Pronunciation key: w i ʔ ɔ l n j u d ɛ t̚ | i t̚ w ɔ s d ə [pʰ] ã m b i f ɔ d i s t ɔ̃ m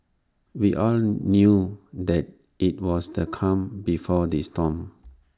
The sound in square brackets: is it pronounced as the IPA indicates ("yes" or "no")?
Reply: no